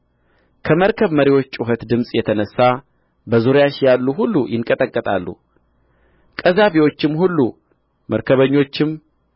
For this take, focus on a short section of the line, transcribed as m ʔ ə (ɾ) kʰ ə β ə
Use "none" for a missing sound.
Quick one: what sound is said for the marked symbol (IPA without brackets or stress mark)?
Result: ɾ